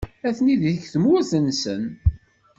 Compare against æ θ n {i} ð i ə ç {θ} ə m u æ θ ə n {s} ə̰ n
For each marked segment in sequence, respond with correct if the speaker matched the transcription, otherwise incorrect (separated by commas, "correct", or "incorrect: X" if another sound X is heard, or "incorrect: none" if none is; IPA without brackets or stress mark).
correct, correct, correct